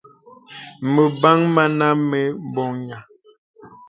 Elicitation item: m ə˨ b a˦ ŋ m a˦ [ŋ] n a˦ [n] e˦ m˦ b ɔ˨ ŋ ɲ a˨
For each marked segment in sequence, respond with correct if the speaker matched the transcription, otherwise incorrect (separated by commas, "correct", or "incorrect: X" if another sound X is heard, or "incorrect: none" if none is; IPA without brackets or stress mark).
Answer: incorrect: none, incorrect: m